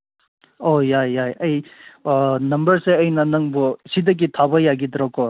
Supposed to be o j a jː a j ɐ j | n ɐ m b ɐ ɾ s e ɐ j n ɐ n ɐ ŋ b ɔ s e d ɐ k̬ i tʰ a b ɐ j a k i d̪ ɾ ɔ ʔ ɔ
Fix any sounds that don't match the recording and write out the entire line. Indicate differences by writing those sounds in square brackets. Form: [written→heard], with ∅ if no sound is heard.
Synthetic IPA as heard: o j a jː a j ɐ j | n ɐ m b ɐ ɾ s e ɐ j n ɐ n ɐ ŋ b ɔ s [e→i] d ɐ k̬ i tʰ a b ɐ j a [k→ɡ] i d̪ ɾ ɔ [ʔ→k] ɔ